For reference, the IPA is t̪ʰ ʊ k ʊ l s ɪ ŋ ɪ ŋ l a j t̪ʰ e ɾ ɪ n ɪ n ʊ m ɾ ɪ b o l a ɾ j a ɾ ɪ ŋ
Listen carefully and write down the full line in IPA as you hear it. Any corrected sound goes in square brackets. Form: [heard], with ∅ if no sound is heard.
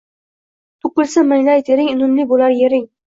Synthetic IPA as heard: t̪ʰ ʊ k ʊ l s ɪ [m] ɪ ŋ l a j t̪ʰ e ɾ ɪ [ŋ] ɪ n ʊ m [l] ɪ b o l a ɾ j [e] ɾ ɪ ŋ